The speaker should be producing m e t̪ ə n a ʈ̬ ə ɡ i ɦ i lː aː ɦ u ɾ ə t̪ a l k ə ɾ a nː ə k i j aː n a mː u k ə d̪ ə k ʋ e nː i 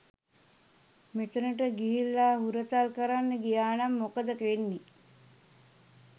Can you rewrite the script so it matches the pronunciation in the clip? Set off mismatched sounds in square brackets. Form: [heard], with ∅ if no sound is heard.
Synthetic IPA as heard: m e t̪ ə n [ə] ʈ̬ ə ɡ i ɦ i lː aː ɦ u ɾ ə t̪ a l k ə ɾ a nː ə [ɡ] i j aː n a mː [o] k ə d̪ ə k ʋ e nː i